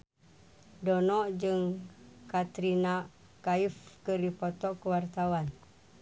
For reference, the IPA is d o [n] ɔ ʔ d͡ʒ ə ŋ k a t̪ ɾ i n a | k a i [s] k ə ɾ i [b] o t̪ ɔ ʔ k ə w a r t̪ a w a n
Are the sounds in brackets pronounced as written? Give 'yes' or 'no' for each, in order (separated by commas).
yes, no, no